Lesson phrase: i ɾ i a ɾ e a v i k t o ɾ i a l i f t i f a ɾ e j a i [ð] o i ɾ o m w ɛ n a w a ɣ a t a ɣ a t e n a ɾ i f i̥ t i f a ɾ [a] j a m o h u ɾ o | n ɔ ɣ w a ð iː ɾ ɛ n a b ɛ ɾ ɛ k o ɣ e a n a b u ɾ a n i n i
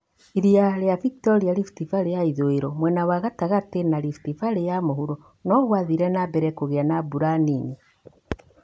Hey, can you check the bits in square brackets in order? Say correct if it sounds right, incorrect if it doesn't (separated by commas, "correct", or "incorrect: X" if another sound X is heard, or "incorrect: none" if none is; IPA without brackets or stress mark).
correct, incorrect: e